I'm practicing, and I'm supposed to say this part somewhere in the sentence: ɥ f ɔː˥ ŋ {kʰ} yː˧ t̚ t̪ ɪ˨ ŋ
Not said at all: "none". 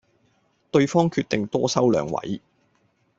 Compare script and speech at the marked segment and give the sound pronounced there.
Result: kʰ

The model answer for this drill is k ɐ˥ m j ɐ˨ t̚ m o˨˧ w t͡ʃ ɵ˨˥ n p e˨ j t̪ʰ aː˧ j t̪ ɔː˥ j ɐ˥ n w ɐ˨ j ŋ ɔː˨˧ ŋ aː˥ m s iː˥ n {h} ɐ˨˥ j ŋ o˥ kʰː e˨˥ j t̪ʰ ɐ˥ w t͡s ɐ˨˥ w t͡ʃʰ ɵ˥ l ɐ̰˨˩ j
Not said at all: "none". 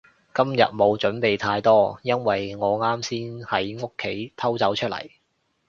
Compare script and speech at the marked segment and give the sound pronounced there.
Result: h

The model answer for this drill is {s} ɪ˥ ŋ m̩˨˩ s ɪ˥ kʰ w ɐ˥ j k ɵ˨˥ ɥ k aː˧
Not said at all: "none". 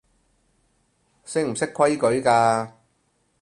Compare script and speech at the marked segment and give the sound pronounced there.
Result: s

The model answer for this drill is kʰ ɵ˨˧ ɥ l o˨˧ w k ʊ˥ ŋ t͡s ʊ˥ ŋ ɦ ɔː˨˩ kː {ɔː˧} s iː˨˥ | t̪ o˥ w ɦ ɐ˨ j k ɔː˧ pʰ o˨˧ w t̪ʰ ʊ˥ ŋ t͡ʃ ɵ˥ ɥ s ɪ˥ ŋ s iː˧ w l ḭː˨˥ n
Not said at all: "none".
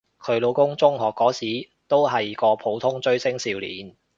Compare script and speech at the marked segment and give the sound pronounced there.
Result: ɔː˨˥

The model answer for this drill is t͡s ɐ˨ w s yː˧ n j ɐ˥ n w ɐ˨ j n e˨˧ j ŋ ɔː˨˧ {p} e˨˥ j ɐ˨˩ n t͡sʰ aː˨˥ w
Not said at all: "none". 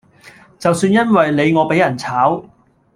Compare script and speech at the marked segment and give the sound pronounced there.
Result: p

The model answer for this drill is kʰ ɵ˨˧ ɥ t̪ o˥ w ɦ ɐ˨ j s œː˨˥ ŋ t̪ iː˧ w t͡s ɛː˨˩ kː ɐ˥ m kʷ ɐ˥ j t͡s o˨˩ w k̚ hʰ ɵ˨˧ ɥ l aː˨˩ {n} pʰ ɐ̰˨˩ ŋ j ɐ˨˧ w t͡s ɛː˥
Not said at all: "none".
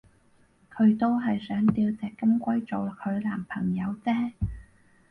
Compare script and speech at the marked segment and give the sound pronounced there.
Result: m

